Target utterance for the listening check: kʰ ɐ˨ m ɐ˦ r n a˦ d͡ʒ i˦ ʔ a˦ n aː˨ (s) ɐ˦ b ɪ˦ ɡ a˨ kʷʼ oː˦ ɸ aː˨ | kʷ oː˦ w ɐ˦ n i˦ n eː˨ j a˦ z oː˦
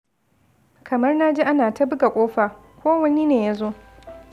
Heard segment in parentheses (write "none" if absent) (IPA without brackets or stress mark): t